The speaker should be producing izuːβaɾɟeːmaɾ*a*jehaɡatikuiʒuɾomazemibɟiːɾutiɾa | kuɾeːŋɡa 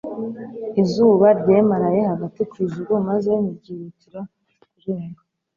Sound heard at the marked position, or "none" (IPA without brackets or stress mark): a